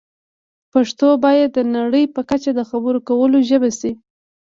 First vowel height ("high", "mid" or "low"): low